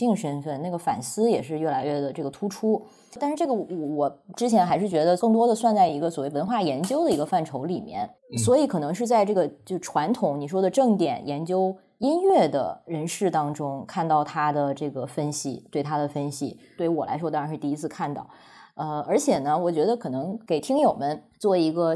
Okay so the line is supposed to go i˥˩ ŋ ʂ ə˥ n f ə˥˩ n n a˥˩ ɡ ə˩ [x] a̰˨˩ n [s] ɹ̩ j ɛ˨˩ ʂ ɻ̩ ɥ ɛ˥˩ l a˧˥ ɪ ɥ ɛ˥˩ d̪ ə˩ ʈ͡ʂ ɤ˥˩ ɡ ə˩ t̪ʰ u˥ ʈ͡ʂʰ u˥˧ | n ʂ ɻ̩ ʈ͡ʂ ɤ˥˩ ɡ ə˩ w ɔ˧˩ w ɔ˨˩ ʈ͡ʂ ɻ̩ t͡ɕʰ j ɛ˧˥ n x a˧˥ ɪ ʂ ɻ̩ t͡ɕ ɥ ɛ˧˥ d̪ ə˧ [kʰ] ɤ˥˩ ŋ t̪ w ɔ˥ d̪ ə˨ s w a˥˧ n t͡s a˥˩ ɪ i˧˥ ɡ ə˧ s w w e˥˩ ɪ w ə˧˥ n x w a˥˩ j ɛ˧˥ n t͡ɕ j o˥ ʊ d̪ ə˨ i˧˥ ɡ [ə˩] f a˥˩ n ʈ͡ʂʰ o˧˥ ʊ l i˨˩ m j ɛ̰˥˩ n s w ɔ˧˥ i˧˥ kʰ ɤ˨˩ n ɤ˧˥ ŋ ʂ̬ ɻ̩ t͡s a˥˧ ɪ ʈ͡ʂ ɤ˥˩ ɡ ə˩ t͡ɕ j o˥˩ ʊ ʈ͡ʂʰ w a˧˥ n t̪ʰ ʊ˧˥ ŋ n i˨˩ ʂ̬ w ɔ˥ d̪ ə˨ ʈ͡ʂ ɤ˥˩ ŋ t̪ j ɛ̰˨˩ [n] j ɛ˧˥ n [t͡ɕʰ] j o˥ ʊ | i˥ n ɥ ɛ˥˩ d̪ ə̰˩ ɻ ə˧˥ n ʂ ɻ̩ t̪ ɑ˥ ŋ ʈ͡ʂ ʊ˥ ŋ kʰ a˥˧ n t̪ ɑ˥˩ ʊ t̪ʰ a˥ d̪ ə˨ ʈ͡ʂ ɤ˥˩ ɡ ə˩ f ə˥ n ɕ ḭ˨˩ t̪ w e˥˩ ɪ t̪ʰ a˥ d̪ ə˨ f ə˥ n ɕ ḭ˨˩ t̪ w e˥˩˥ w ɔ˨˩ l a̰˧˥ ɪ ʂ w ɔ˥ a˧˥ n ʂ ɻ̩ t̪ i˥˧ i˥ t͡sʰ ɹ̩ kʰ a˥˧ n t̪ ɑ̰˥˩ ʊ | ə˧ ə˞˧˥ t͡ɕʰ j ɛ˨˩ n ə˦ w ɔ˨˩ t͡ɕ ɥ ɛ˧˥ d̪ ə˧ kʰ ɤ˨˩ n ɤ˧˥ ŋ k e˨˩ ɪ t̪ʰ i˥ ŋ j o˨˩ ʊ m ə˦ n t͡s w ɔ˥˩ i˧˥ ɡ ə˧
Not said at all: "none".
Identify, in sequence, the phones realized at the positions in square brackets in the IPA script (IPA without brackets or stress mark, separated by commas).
f, s, k, ə˧, n, t͡ɕ